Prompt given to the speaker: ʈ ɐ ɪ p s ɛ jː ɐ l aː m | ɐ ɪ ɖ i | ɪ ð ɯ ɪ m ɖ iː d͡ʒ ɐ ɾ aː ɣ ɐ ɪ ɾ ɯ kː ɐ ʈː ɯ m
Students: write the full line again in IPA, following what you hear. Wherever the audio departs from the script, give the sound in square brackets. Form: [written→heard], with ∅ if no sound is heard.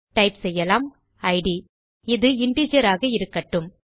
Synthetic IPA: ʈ ɐ ɪ p s ɛ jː ɐ l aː m | ɐ ɪ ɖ i | ɪ ð ɯ ɪ [m→ɳ] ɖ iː d͡ʒ ɐ ɾ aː ɣ ɐ ɪ ɾ ɯ kː ɐ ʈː ɯ m